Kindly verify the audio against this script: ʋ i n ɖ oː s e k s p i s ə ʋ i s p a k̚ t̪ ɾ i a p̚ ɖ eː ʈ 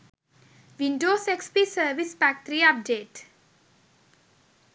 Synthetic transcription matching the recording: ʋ i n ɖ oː s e k s p i s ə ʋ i s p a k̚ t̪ ɾ i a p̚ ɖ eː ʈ

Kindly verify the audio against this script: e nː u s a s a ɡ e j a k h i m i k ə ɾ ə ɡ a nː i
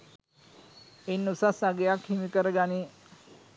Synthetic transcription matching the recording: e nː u s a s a ɡ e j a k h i m i k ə ɾ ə ɡ a n i

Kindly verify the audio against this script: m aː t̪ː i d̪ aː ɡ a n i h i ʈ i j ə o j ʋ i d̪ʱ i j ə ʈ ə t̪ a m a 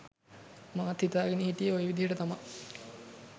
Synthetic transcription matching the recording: m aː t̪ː i t̪ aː ɡ e n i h i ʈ i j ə o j ʋ i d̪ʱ i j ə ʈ ə t̪ a m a

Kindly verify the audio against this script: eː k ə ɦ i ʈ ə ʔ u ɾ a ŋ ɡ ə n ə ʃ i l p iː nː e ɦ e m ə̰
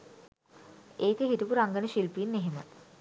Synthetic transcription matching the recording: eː k ə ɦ i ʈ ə p u ɾ a ŋ ɡ ə n ə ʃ i l p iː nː e ɦ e m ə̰

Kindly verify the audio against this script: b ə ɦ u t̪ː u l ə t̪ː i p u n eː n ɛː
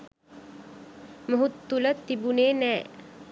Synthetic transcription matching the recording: m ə ɦ u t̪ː u l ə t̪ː i b u n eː n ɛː

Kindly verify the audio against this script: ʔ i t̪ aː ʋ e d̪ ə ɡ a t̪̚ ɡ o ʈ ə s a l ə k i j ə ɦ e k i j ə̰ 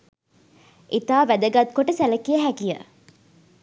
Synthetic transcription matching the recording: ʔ i t̪ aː ʋ æ d̪ ə ɡ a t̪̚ k o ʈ ə s æ l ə k i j ə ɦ æ k i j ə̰

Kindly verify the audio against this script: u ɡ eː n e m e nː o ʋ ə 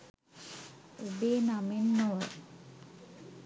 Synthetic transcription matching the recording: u b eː n a m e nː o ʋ ə

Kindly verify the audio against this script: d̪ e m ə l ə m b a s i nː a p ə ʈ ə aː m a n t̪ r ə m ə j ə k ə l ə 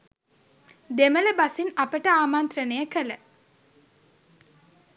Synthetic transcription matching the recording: d̪ e m ə l ə b a s i n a p ə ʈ ə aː m a n t̪ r ə n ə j ə k ə l ə

